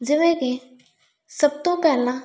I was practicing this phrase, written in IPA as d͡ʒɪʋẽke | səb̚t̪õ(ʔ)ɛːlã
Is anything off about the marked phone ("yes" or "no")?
yes